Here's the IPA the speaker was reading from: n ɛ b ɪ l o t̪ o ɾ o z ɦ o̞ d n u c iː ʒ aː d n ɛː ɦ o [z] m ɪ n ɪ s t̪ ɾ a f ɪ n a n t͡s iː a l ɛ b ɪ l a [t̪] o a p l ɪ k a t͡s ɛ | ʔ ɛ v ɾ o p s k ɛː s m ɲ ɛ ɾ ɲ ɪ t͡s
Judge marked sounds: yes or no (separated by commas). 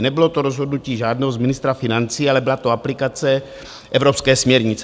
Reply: yes, yes